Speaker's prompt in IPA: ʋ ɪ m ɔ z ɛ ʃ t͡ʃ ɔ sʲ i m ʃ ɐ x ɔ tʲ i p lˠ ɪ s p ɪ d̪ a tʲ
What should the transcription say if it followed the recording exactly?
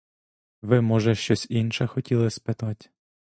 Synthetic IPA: ʋ ɪ m ɔ ʒ ɛ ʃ t͡ʃ ɔ sʲ i n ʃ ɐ x ɔ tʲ i lˠ ɪ s p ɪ t̪ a tʲ